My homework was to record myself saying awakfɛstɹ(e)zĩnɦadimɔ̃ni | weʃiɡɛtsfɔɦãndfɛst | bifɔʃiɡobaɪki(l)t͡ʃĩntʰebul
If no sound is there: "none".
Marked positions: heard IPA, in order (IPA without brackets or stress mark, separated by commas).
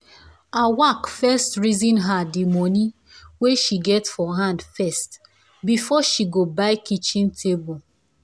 i, none